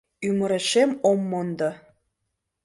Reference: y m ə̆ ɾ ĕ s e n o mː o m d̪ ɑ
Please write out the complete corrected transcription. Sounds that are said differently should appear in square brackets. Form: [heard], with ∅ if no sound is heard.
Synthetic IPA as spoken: y m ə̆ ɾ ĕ [ʃ] e [m] o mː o [n] d̪ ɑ